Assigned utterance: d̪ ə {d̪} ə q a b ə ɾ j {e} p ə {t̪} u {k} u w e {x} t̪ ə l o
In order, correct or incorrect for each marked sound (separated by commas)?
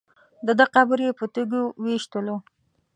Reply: correct, correct, correct, incorrect, incorrect